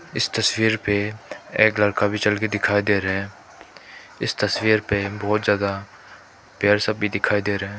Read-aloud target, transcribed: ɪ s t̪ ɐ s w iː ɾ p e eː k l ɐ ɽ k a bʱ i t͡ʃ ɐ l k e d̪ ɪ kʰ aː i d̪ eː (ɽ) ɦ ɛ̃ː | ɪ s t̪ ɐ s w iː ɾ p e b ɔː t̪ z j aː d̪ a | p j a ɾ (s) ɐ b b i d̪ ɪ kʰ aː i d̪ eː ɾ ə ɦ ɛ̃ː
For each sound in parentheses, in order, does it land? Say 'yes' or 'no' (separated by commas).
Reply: no, yes